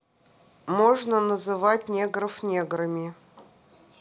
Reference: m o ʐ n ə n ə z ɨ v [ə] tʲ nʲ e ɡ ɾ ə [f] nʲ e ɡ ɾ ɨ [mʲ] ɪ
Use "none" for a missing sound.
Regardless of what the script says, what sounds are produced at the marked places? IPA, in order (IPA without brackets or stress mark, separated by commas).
a, f, mʲ